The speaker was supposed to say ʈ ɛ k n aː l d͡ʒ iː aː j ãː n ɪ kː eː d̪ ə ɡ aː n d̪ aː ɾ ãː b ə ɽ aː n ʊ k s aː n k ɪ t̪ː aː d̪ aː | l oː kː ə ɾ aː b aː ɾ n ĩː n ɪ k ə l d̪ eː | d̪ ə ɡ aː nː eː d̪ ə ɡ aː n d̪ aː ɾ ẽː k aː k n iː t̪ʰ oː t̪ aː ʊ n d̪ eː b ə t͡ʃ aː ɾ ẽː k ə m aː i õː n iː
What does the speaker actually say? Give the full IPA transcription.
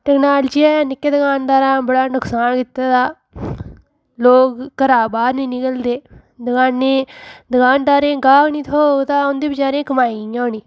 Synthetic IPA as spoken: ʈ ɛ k n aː l d͡ʒ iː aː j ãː n ɪ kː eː d̪ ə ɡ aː n d̪ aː ɾ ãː b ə ɽ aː n ʊ k s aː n k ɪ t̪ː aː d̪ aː | l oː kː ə ɾ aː b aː ɾ n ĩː n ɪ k ə l d̪ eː | d̪ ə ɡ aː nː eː d̪ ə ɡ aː n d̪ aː ɾ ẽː ɡ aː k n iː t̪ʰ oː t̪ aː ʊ n d̪ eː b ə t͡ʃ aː ɾ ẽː k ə m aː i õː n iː